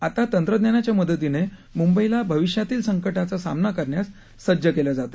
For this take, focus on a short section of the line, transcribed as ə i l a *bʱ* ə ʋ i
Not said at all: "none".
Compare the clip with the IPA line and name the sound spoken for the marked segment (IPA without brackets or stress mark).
bʱ